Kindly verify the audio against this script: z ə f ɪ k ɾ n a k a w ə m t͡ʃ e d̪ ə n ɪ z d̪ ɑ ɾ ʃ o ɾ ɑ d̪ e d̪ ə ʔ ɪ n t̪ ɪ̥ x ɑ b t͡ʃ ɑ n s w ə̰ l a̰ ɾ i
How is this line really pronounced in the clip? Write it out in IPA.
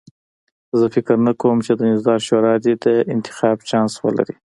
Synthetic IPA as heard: z ə f ɪ k ɾ n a k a w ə m t͡ʃ e d̪ ə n ɪ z d̪ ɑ ɾ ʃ o ɾ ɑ d̪ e d̪ ə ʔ ɪ n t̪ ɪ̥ x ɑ b t͡ʃ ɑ n s w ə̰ l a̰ ɾ i